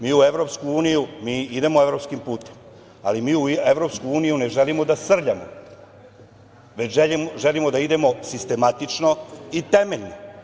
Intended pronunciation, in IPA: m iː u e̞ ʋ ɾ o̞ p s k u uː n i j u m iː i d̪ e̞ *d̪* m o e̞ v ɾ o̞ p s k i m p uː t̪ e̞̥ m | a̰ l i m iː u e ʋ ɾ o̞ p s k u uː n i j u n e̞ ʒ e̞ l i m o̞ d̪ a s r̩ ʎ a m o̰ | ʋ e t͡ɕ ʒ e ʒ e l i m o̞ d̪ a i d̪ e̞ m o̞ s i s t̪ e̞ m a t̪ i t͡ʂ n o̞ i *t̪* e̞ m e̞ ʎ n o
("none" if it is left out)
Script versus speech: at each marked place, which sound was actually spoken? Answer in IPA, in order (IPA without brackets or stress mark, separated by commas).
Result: none, t̪